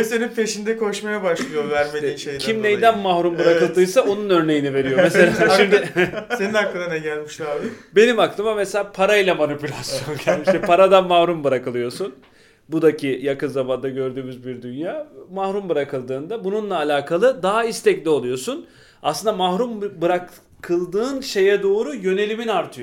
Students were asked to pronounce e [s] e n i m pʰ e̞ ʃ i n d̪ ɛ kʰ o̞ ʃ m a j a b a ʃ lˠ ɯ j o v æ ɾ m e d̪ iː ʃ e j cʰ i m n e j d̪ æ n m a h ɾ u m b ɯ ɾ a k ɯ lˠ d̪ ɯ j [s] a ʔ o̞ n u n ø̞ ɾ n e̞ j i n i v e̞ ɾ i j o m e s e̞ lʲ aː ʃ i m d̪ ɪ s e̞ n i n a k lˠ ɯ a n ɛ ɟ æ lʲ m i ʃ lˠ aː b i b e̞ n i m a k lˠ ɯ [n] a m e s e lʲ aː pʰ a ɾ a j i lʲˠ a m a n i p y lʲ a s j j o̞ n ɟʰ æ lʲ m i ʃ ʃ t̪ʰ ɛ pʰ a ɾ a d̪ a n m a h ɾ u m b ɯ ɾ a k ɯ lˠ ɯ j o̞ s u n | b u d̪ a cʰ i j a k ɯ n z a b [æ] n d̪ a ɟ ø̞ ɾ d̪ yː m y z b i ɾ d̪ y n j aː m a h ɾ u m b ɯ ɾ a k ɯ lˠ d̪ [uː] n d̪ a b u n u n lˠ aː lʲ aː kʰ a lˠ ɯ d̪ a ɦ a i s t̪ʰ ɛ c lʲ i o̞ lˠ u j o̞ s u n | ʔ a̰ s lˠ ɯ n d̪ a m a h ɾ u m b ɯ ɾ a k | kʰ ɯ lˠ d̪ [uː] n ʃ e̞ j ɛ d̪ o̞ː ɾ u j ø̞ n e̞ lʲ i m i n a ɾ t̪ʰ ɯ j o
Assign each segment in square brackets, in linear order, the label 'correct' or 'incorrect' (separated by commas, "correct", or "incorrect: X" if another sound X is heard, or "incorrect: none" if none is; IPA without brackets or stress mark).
correct, correct, incorrect: m, incorrect: a, incorrect: ɯː, incorrect: ɯː